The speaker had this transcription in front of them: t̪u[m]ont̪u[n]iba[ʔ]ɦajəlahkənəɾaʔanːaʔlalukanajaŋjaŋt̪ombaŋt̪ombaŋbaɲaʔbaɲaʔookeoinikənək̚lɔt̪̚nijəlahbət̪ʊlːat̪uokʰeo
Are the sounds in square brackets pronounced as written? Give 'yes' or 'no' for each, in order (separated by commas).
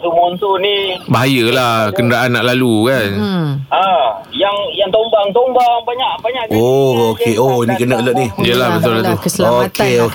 yes, yes, no